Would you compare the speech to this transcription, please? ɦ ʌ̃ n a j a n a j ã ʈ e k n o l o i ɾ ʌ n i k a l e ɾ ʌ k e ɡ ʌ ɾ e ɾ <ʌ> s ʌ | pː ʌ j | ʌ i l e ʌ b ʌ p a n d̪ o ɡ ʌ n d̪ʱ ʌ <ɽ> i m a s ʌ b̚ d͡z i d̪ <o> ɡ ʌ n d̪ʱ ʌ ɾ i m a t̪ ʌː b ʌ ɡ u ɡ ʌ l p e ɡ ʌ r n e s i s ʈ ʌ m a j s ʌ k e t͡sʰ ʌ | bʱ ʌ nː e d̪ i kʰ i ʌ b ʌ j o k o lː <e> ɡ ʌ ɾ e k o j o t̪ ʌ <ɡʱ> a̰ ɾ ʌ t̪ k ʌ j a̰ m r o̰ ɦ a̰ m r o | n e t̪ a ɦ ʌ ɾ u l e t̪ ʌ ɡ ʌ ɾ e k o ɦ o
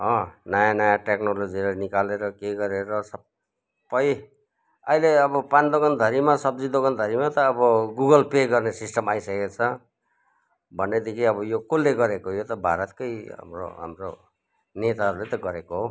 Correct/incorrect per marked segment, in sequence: correct, incorrect: ɾ, correct, correct, incorrect: bʱ

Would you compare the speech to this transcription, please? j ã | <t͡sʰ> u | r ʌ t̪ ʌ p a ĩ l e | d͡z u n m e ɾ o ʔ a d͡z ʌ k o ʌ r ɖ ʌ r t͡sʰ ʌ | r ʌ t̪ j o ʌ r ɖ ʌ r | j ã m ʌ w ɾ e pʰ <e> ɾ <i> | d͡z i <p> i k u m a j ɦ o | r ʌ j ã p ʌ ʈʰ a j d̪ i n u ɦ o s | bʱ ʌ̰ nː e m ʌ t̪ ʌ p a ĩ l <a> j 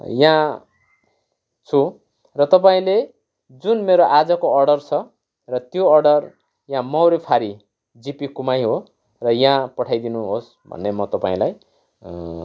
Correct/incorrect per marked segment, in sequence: correct, incorrect: a, correct, correct, correct

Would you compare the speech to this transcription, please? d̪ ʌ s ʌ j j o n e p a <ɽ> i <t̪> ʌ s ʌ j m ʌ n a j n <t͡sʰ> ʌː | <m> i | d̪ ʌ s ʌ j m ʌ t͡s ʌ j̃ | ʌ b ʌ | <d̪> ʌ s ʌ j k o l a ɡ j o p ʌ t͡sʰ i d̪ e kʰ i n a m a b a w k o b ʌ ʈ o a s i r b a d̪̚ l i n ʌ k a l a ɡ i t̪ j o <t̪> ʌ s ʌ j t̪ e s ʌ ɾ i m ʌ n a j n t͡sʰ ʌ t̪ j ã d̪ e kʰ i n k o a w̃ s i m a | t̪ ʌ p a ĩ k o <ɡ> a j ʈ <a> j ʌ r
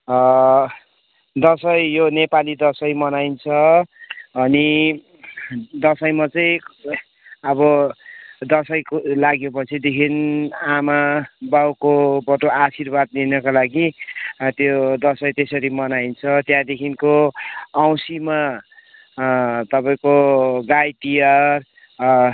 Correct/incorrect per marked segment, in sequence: incorrect: l, incorrect: d̪, correct, incorrect: n, correct, incorrect: d̪, correct, incorrect: i

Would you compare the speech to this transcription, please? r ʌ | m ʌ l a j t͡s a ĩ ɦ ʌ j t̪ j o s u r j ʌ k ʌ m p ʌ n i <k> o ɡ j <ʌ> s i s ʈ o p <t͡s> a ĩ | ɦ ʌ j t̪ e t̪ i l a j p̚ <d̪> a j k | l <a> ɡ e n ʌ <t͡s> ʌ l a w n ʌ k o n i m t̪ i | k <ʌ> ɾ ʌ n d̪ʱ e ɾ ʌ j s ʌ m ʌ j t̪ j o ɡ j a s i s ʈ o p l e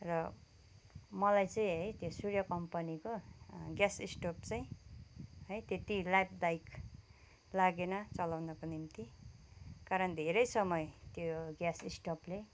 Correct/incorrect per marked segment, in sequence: correct, incorrect: a, correct, correct, correct, correct, incorrect: a

